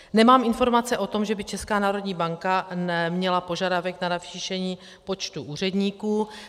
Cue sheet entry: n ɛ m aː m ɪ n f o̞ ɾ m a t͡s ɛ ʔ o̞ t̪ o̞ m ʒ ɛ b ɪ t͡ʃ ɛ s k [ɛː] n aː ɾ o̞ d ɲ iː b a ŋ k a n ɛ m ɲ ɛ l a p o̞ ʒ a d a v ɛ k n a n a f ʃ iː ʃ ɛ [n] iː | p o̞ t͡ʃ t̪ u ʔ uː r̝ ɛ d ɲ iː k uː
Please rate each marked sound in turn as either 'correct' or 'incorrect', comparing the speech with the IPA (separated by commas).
incorrect, incorrect